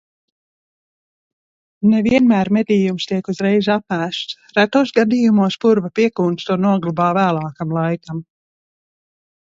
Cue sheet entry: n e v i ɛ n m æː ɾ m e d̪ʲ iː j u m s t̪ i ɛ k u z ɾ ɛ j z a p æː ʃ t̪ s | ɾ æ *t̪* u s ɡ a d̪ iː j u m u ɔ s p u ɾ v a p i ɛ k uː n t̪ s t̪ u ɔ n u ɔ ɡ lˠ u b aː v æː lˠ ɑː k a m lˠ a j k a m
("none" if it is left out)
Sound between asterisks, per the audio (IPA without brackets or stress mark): t̪